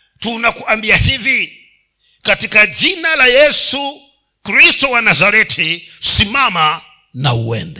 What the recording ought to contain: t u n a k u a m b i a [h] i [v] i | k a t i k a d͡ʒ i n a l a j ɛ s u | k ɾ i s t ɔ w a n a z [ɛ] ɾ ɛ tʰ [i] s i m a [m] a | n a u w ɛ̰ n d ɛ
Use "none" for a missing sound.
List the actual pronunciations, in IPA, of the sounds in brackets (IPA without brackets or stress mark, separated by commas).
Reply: h, v, a, i, m